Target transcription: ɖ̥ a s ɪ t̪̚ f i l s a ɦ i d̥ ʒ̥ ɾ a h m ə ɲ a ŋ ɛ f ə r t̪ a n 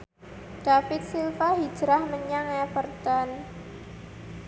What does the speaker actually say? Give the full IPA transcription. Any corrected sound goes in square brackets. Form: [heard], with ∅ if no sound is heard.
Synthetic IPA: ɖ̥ a [f] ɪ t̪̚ [s] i l [f] a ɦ i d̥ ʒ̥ ɾ a h m ə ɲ a ŋ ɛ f ə r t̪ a n